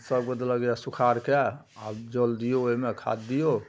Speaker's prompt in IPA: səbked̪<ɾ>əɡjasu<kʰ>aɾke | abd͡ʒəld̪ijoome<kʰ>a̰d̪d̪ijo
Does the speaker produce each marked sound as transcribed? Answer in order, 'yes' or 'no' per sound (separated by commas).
no, yes, yes